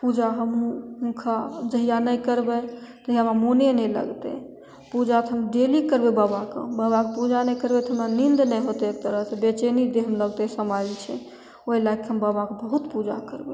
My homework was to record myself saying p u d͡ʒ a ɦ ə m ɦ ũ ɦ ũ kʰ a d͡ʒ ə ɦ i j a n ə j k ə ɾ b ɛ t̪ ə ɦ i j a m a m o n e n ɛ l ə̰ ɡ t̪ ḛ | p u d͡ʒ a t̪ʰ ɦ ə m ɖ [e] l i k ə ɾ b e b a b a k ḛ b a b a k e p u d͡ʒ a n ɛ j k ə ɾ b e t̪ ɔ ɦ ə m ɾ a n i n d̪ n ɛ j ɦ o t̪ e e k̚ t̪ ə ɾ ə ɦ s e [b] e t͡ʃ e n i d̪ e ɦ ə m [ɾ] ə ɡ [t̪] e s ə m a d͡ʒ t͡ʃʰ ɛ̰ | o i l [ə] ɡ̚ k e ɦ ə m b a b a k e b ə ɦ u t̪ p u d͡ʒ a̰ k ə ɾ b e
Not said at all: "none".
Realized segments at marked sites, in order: e, b, l, t̪, a

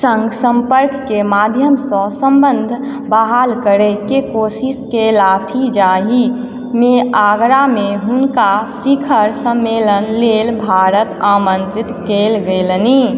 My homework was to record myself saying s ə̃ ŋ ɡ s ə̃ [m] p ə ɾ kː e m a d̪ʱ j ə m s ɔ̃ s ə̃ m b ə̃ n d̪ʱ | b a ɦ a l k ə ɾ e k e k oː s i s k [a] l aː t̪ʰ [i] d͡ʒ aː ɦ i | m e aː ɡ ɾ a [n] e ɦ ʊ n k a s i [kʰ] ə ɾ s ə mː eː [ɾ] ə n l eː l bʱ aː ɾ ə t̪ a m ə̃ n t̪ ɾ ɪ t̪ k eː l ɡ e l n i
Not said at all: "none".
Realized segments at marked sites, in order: m, e, i, m, kʰ, l

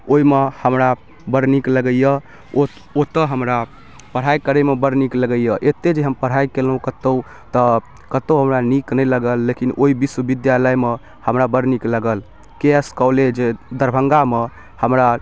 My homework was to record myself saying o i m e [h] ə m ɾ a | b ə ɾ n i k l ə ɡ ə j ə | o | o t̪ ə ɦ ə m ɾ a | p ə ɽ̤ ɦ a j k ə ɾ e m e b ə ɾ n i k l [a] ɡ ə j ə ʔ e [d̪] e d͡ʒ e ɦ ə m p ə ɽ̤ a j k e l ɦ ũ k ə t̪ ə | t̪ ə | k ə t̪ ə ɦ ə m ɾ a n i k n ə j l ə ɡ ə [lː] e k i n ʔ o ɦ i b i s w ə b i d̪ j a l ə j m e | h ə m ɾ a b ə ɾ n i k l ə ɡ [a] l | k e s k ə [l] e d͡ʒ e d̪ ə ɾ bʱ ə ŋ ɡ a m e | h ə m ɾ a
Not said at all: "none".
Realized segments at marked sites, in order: h, ə, t̪, lː, ə, l

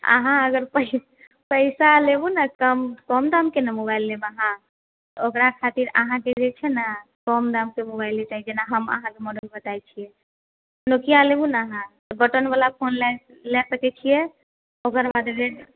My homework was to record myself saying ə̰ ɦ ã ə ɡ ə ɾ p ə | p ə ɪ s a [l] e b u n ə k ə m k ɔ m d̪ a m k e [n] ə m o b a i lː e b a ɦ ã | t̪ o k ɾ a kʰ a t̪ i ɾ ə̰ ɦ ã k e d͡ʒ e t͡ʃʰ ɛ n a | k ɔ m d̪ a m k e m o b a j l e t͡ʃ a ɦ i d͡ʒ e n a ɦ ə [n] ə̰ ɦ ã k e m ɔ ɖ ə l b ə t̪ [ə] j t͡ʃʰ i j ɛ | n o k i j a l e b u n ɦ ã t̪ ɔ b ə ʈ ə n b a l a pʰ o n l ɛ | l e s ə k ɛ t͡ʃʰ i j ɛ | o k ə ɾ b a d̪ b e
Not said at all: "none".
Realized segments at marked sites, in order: l, n, m, a

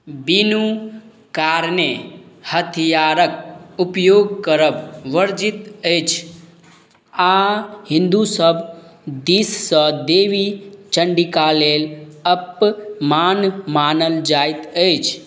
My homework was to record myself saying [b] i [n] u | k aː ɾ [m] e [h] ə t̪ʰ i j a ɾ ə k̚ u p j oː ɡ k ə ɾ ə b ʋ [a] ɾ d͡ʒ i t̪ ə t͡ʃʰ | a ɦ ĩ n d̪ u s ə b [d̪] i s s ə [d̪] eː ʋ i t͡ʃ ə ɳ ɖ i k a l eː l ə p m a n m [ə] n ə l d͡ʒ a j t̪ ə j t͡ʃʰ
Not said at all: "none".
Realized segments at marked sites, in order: b, n, n, h, ə, d̪, d̪, a

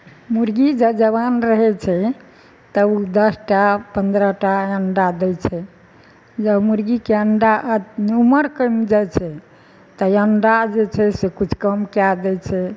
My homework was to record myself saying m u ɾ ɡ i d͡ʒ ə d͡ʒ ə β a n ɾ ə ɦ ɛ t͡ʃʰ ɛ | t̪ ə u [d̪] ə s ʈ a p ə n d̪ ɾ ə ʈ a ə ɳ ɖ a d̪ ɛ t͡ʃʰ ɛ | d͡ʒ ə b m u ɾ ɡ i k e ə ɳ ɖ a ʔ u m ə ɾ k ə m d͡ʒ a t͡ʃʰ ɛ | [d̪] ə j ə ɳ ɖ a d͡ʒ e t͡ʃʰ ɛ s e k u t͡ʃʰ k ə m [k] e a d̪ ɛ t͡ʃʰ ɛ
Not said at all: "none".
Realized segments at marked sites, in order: d̪, t̪, k

